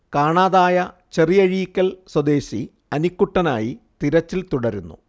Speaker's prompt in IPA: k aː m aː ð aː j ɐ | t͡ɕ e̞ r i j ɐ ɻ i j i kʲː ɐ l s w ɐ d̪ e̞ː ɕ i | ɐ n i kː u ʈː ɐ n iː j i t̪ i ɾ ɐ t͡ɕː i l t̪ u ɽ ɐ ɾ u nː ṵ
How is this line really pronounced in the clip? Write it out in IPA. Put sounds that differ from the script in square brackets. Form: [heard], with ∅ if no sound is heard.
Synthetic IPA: k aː [ɳ] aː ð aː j ɐ | t͡ɕ e̞ r i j ɐ ɻ i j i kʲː ɐ l s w ɐ d̪ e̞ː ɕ i | ɐ n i kː u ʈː ɐ n [aː] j i t̪ i ɾ ɐ t͡ɕː i l t̪ u ɽ ɐ ɾ u nː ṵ